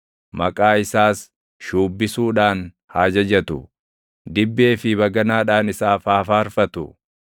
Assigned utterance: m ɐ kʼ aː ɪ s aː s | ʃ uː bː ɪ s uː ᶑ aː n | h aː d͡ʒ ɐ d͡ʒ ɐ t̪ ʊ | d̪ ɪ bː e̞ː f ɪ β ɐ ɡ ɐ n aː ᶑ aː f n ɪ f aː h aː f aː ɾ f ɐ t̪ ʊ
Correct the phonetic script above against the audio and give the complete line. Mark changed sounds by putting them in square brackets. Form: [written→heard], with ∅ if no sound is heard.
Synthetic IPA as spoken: m ɐ kʼ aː ɪ s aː s | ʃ uː bː ɪ s uː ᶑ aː n | h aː d͡ʒ ɐ d͡ʒ ɐ t̪ ʊ | d̪ ɪ bː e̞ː f ɪ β ɐ ɡ ɐ n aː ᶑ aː [f→∅] n ɪ [f→s] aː [h→f] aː f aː ɾ f ɐ t̪ ʊ